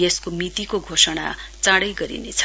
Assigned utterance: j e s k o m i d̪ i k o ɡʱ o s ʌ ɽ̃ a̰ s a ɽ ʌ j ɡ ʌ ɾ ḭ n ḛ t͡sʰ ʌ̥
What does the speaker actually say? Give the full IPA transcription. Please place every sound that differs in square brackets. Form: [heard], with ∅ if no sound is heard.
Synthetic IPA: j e s k o m i [t̪] i k o ɡʱ o s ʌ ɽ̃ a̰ [t͡s] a ɽ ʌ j ɡ ʌ ɾ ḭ n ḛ t͡sʰ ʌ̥